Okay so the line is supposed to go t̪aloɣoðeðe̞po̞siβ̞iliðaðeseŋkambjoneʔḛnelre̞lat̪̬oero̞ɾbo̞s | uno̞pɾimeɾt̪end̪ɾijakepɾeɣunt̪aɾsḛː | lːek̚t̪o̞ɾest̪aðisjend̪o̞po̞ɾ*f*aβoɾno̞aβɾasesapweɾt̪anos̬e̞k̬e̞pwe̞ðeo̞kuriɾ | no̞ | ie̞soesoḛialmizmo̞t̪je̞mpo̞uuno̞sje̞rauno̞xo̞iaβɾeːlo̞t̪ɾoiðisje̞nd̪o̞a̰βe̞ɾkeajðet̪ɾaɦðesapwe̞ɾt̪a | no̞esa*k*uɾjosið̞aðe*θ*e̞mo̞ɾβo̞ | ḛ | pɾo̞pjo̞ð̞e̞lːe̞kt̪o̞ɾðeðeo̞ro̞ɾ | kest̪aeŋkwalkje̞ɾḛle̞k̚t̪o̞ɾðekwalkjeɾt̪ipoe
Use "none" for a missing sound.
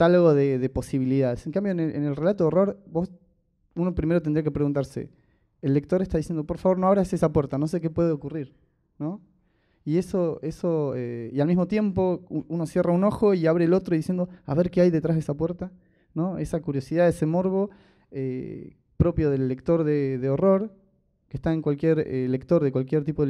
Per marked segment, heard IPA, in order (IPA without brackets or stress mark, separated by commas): f, k, s